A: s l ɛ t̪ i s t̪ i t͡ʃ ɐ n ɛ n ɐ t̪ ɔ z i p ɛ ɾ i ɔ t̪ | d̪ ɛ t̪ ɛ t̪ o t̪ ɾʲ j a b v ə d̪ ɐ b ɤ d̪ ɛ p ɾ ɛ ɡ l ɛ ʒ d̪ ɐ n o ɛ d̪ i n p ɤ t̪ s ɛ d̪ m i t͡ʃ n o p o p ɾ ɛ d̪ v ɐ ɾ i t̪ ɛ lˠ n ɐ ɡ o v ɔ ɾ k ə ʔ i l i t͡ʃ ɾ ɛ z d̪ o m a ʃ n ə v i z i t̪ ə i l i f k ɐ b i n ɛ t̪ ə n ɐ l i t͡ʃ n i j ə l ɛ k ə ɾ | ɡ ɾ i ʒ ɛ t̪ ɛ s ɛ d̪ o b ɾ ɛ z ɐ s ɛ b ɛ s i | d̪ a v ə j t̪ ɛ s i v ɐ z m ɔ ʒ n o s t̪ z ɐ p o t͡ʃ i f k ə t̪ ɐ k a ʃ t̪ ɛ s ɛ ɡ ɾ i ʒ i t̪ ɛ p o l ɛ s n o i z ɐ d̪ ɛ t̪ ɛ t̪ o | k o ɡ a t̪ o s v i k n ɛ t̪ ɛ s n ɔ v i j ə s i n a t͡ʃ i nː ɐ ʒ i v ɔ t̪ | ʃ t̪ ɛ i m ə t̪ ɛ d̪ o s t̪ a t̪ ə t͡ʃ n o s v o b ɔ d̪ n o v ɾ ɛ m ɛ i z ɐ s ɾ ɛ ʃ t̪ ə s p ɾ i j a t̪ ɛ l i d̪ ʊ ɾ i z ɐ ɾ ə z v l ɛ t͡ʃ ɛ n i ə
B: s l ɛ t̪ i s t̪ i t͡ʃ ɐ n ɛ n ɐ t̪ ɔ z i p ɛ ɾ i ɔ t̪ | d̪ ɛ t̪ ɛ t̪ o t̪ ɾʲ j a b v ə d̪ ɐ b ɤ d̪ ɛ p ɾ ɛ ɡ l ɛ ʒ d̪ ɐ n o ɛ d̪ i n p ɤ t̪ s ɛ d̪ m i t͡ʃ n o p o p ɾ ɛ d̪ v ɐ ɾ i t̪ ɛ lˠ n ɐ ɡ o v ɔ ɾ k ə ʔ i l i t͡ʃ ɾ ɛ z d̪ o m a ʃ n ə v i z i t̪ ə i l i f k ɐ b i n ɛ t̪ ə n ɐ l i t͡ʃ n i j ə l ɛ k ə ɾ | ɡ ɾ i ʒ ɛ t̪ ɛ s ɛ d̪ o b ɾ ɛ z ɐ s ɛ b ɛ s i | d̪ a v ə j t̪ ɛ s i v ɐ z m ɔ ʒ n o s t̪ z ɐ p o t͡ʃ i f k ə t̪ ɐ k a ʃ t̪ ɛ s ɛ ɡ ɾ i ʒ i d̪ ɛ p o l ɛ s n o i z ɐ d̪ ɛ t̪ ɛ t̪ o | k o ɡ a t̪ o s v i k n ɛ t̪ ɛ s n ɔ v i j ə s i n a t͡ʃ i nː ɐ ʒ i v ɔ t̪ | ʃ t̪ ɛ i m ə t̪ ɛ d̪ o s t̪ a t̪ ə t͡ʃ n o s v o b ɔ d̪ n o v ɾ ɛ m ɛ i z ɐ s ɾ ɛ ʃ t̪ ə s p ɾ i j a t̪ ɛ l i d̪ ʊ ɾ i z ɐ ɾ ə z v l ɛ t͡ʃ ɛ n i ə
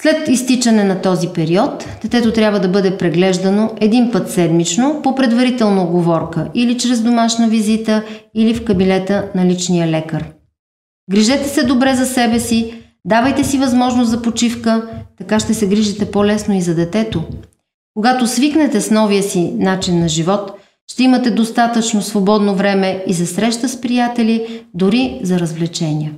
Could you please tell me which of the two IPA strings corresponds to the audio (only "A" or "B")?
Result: A